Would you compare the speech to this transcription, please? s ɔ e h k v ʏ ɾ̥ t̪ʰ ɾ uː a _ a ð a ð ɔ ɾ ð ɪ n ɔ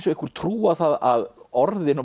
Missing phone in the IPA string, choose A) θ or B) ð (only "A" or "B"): A